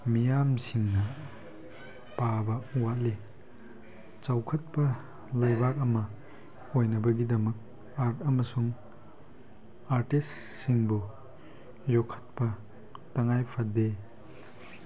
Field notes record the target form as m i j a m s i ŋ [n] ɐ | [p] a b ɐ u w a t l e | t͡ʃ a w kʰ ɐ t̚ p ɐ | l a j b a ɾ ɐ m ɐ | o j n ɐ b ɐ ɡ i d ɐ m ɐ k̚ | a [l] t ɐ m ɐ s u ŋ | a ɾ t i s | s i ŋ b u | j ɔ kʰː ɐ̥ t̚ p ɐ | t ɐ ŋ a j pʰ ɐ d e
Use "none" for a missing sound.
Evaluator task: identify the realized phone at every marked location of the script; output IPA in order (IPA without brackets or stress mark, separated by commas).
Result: n, p, ɾ